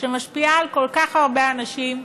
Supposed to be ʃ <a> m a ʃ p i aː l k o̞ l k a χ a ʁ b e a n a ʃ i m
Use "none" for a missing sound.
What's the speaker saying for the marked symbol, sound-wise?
e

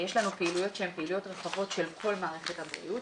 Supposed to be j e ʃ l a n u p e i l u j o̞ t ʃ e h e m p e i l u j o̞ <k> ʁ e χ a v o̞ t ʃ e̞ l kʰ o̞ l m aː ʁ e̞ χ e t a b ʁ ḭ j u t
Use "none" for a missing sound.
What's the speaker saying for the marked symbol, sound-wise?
t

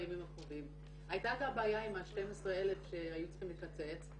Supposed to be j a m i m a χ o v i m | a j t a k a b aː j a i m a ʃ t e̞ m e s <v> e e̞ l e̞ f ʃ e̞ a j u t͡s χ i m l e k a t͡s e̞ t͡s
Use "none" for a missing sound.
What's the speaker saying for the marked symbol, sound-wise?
ʁ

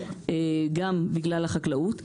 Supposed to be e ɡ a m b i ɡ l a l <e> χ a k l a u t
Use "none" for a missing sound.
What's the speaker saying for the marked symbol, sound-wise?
a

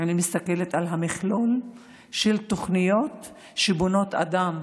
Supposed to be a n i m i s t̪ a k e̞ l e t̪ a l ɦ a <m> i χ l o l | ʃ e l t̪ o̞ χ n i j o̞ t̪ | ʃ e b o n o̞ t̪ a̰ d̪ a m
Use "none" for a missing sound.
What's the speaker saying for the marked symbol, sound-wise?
m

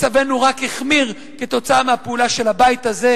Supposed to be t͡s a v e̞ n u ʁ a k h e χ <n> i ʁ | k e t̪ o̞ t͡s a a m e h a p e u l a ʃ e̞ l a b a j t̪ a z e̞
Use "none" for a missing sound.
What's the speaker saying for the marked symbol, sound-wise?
m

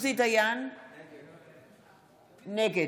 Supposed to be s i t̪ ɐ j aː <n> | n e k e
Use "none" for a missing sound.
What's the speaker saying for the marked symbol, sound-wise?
n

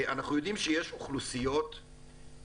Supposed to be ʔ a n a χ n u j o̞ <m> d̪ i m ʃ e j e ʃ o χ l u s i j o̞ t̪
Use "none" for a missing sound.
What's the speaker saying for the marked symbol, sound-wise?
none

